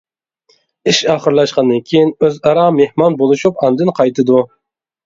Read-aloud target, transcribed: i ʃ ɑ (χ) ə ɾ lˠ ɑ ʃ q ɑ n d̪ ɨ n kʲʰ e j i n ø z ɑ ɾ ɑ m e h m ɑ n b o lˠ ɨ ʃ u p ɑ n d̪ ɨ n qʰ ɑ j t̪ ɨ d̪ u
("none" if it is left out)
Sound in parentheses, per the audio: χ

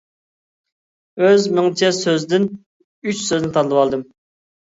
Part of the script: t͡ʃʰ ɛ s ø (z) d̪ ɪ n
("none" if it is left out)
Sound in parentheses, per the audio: z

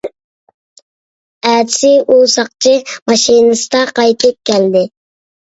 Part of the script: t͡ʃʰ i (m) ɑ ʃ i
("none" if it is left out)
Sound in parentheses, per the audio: m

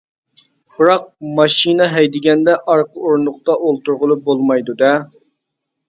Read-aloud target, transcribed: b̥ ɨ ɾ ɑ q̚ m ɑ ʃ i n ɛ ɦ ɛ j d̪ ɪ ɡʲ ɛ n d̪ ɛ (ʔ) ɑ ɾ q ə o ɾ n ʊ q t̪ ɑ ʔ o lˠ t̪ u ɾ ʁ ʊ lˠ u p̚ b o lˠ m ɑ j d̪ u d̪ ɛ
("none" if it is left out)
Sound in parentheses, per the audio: ʔ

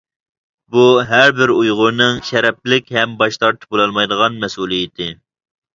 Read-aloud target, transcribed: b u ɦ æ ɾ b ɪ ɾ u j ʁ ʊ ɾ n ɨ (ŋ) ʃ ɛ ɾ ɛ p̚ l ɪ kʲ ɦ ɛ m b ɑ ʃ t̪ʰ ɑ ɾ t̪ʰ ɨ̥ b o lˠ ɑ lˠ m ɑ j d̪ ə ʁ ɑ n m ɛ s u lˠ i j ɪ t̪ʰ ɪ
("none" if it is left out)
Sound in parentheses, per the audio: ŋ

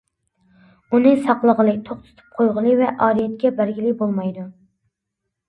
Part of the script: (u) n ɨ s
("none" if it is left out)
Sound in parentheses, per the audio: u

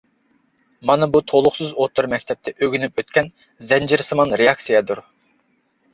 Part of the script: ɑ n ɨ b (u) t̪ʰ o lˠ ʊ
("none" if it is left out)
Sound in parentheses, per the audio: u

